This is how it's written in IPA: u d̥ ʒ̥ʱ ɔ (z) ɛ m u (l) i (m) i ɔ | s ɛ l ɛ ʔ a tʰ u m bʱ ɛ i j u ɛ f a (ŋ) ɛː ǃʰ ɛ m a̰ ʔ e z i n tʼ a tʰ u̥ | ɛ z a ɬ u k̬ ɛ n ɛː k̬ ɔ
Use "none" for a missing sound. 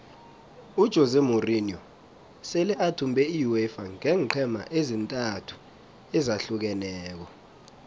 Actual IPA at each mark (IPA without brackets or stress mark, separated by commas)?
z, r, n, ŋ